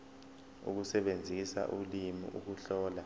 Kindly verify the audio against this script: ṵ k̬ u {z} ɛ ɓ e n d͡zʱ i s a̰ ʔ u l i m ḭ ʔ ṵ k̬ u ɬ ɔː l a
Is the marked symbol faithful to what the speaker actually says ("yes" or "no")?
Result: no